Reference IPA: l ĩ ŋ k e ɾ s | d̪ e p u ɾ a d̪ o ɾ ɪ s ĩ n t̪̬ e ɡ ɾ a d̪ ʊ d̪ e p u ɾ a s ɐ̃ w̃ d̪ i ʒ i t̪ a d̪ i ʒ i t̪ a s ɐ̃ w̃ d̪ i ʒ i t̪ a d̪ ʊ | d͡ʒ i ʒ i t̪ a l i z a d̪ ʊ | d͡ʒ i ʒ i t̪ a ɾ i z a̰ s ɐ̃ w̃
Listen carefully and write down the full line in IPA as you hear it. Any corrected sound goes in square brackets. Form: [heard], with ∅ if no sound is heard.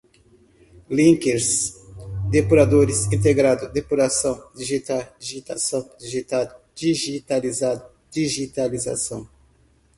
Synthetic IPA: l ĩ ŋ k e ɾ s | d̪ e p u ɾ a d̪ o ɾ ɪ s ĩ n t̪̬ e ɡ ɾ a d̪ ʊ d̪ e p u ɾ a s ɐ̃ w̃ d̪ i ʒ i t̪ a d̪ i ʒ i t̪ a s ɐ̃ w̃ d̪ i ʒ i t̪ a d̪ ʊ | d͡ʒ i ʒ i t̪ a l i z a d̪ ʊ | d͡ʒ i ʒ i t̪ a [l] i z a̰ s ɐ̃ w̃